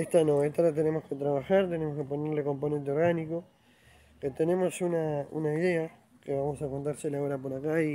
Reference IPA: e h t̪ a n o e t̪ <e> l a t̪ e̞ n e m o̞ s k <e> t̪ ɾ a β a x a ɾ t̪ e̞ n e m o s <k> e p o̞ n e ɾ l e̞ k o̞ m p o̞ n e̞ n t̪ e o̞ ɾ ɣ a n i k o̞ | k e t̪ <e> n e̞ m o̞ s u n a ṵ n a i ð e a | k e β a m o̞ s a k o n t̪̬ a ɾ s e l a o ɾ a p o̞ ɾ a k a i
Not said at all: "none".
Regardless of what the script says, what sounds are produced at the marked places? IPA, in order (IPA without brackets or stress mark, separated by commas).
a, e, k, e